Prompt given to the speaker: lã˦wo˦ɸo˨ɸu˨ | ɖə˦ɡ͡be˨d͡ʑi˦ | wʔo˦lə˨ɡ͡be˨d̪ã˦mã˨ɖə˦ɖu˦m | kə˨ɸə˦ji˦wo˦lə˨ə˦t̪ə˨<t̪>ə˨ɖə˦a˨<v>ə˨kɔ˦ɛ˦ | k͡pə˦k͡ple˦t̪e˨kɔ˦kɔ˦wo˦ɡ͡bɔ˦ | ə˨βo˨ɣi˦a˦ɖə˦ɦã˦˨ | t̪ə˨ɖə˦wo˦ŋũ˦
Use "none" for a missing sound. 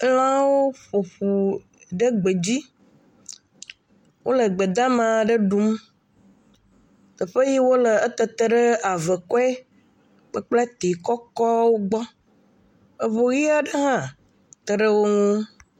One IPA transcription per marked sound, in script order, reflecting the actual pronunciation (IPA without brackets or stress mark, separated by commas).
t̪, v